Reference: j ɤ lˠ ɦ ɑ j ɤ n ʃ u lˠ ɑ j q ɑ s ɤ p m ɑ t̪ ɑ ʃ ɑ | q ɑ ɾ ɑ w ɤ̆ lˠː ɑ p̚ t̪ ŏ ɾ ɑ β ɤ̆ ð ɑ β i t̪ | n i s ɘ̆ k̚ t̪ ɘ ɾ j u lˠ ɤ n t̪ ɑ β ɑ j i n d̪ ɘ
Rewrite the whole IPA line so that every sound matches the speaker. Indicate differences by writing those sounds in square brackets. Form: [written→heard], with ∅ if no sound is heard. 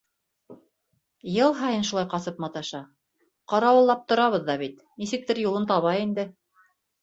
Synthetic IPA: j ɤ lˠ ɦ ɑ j ɤ n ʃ u lˠ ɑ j q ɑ s ɤ p m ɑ t̪ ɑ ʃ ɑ | q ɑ ɾ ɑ w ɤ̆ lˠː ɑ p̚ t̪ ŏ ɾ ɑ β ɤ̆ [ð→ðː] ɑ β i t̪ | n i s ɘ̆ k̚ t̪ ɘ ɾ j u lˠ ɤ n t̪ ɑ β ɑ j i n d̪ ɘ